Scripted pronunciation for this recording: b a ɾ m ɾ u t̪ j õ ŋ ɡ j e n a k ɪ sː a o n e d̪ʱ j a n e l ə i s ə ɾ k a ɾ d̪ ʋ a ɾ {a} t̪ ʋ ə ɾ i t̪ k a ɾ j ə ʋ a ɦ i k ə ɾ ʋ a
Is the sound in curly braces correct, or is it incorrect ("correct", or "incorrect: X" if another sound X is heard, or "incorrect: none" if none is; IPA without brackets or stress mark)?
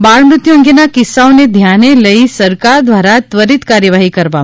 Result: correct